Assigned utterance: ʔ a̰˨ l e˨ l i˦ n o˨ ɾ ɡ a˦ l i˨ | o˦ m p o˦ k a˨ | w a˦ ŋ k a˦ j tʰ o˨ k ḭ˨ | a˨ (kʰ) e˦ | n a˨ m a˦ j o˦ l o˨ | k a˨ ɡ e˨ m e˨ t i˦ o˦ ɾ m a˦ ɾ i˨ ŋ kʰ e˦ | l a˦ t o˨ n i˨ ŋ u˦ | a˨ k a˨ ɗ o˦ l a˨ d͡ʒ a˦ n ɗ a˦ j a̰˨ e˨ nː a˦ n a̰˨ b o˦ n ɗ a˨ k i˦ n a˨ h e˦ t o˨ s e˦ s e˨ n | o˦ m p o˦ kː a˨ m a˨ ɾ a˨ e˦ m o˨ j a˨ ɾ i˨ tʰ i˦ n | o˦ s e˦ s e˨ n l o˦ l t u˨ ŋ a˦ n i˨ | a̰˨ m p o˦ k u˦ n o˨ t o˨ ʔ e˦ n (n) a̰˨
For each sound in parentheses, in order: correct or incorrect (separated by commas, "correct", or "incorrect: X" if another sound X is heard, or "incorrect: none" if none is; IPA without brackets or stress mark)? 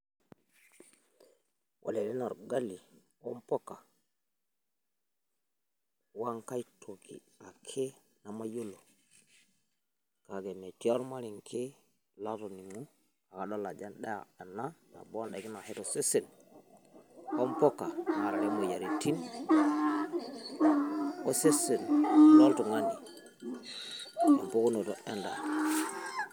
correct, incorrect: d